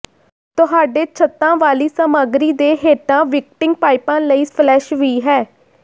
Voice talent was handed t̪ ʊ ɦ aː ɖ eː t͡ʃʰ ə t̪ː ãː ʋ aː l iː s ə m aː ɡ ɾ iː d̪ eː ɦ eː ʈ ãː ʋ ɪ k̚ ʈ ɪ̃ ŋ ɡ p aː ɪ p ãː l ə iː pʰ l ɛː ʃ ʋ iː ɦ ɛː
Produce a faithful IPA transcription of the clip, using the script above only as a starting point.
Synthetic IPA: t̪ ʊ ɦ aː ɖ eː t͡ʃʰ ə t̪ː ãː ʋ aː l iː s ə m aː ɡ ɾ iː d̪ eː ɦ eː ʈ ãː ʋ ɪ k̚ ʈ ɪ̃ ŋ ɡ p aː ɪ p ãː l ə iː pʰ l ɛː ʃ ʋ iː ɦ ɛː